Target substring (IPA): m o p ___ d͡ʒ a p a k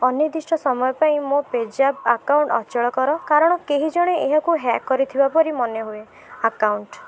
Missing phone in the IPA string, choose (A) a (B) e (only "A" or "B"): B